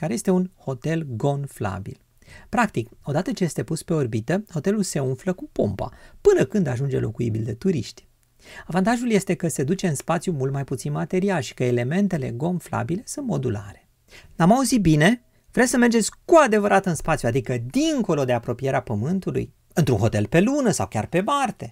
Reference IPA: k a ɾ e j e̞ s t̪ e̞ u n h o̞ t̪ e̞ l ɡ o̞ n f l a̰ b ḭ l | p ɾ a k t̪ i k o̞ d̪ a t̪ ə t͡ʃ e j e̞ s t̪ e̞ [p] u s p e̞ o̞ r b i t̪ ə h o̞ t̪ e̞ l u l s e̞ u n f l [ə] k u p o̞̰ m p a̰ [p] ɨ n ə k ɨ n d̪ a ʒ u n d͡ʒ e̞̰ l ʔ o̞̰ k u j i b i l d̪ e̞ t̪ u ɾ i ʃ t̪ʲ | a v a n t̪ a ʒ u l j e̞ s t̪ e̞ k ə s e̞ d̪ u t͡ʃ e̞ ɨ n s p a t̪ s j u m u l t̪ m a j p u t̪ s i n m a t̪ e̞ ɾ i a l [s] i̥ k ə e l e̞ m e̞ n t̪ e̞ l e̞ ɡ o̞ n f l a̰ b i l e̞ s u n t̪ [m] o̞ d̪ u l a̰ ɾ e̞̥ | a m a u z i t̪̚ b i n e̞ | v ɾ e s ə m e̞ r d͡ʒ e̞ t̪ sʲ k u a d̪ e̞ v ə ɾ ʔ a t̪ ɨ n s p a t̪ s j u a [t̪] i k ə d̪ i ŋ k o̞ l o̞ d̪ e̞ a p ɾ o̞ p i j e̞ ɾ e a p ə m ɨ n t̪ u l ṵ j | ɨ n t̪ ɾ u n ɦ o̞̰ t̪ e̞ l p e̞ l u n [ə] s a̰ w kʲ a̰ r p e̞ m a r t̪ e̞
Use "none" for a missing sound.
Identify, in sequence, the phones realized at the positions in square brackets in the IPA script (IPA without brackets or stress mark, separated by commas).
p, ə, p, ʃ, m, d̪, ə